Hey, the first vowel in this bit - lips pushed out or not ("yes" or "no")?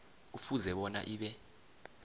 yes